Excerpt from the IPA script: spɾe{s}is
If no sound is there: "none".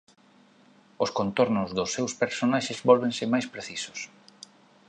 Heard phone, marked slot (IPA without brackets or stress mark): θ